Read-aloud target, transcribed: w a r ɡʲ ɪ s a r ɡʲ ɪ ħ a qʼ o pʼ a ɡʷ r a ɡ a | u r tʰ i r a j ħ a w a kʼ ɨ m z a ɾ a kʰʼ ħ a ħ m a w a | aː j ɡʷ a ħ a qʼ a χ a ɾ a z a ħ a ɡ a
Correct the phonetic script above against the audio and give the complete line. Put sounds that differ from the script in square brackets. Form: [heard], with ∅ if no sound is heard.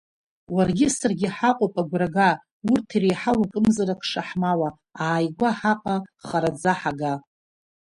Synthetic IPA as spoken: w a r ɡʲ ɪ s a r ɡʲ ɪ ħ a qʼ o pʼ a ɡʷ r a ɡ a | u r tʰ i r [e] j ħ a w a kʼ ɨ m z a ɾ a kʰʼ [ʂ] a ħ m a w a | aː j ɡʷ a ħ a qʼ a χ a ɾ a [d͡z] a ħ a ɡ a